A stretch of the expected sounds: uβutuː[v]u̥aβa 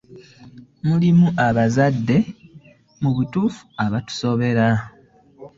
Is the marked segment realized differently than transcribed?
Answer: yes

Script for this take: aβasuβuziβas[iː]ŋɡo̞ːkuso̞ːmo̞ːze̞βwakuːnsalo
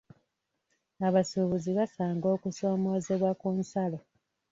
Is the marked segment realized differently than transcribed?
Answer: yes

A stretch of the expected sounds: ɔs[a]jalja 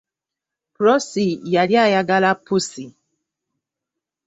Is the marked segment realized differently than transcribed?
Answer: yes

